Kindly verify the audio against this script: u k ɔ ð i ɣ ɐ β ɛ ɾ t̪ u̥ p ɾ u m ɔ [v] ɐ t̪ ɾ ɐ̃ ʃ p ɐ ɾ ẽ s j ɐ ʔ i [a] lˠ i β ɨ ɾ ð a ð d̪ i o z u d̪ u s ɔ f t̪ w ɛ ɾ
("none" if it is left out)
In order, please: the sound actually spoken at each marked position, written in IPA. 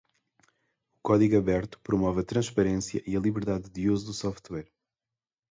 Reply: v, ɐ

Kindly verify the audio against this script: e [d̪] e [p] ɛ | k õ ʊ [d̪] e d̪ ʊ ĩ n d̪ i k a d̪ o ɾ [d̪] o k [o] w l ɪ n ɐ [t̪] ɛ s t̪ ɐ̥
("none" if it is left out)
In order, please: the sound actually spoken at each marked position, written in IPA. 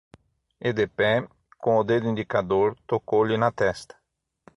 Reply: d̪, p, d̪, t̪, o, t̪

